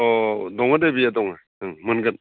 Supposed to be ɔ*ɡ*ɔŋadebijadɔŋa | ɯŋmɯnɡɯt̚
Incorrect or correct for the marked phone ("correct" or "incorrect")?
incorrect